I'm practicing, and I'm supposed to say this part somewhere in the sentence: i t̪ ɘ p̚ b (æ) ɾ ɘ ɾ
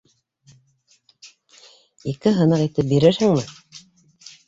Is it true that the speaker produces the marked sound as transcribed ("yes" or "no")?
no